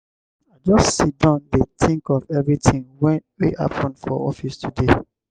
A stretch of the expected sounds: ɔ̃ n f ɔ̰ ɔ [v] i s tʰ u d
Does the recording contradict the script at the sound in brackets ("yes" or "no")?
yes